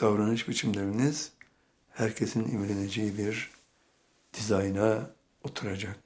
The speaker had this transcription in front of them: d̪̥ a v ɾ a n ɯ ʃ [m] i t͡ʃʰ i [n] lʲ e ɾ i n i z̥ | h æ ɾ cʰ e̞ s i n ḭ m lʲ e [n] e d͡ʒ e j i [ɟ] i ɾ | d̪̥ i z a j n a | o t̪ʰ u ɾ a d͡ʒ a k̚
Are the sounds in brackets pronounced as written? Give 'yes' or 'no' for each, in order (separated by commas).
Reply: no, no, yes, no